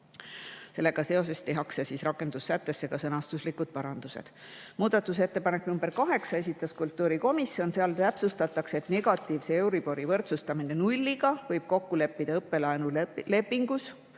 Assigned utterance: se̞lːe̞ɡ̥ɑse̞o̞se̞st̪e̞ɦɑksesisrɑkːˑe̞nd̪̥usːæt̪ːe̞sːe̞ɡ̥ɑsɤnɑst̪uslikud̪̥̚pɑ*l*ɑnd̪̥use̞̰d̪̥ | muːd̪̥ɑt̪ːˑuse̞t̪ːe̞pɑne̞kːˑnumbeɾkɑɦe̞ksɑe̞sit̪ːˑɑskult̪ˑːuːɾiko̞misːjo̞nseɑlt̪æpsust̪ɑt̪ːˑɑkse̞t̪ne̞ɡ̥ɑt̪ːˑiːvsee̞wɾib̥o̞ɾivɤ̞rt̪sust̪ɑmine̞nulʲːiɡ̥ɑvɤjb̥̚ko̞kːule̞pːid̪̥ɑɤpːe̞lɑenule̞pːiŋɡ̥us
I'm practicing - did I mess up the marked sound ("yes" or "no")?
yes